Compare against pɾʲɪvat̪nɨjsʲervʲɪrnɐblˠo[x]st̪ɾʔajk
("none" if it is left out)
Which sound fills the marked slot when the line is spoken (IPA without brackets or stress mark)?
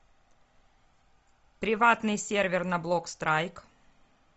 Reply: k